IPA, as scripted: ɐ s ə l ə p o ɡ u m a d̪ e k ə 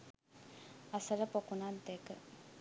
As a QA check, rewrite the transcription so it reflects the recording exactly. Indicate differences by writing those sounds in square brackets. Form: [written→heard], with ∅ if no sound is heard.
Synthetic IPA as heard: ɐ s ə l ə p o [ɡ→k] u [m→n] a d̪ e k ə